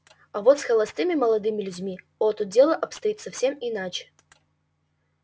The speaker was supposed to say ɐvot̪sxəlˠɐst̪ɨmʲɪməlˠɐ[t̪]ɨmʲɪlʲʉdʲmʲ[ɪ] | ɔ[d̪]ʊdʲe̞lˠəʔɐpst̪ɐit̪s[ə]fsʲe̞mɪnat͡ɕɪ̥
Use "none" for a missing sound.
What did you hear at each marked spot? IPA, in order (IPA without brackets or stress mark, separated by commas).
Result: d̪, i, t̪, ɐ